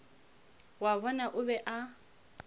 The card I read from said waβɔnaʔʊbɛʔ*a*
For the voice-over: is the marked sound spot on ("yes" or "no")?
yes